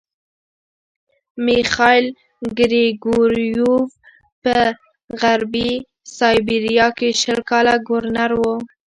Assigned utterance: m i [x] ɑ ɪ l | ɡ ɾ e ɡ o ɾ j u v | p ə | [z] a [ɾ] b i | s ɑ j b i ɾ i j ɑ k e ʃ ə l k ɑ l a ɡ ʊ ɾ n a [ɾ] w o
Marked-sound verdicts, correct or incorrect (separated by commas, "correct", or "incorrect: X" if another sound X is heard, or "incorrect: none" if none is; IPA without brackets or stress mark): correct, incorrect: ɣ, correct, correct